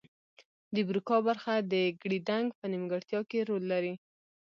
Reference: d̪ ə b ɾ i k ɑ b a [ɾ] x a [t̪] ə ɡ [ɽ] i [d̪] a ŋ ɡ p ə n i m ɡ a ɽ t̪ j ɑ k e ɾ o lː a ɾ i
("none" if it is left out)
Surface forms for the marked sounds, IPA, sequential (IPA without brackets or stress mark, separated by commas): ɾ, d̪, ɽ, d̪